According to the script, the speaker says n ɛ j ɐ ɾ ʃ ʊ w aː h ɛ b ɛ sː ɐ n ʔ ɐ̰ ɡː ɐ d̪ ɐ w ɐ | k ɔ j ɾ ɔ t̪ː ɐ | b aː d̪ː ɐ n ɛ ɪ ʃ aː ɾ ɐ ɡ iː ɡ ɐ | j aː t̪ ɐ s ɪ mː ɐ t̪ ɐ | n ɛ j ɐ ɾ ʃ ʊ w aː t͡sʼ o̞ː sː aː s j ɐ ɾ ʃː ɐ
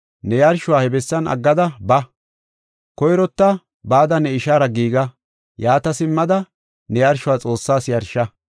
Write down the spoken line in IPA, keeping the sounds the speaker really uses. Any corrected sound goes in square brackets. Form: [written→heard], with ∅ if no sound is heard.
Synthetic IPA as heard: n ɛ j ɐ ɾ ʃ ʊ w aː h ɛ b ɛ sː ɐ n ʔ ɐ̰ ɡː ɐ d̪ ɐ [w→b] ɐ | k ɔ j ɾ ɔ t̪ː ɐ | b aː [d̪ː→d̪] ɐ n ɛ ɪ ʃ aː ɾ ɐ ɡ iː ɡ ɐ | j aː t̪ ɐ s ɪ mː ɐ [t̪→d̪] ɐ | n ɛ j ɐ ɾ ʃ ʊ w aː t͡sʼ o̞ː sː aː s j ɐ ɾ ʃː ɐ